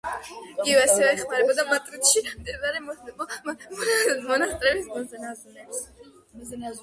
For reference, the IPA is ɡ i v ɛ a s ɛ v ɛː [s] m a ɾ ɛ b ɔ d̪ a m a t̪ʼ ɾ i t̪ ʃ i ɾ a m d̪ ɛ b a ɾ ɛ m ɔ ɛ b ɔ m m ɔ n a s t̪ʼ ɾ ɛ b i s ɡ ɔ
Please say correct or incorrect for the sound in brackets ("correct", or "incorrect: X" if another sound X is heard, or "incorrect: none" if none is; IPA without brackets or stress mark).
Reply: incorrect: χ